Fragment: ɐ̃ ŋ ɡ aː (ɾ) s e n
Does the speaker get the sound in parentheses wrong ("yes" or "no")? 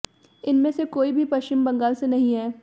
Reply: yes